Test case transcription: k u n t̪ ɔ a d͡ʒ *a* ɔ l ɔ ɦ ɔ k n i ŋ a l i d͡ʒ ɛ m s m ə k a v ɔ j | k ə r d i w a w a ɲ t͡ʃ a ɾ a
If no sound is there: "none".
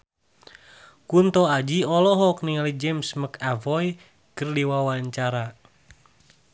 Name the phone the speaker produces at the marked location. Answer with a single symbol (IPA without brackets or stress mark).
i